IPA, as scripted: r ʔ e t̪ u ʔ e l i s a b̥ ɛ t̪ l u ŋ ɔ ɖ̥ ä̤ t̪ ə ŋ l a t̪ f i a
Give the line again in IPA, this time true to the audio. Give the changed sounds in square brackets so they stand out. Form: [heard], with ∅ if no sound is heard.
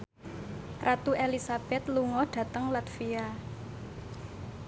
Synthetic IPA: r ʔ [a] t̪ u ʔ e l i s a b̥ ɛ t̪ l u ŋ ɔ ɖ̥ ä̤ t̪ ə ŋ l a t̪ f i a